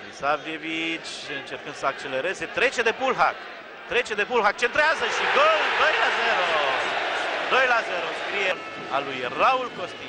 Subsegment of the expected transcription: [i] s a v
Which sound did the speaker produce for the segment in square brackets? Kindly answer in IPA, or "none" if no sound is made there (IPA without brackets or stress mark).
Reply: i